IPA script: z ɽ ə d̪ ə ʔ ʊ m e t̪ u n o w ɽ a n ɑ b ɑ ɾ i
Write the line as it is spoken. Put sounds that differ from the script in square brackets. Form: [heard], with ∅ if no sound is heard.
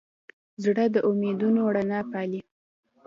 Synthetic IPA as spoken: z ɽ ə d̪ ə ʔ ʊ m e [d̪] u n o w ɽ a n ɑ [p] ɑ [l] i